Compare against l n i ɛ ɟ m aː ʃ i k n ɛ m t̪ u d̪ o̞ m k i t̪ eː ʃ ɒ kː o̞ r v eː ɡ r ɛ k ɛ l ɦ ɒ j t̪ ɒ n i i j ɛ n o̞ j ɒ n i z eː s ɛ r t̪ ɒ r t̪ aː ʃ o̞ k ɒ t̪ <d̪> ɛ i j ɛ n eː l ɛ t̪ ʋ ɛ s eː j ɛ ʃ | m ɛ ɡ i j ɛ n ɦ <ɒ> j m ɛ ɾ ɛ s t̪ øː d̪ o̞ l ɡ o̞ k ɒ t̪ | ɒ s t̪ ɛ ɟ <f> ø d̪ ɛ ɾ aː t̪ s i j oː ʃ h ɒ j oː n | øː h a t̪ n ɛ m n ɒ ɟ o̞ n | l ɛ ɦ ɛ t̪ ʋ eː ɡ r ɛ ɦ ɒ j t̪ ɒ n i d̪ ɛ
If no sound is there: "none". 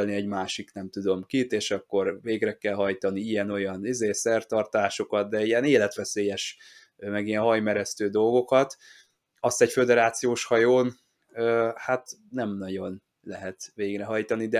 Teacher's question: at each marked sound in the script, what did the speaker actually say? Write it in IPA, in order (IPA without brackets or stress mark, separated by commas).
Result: d̪, ɒ, f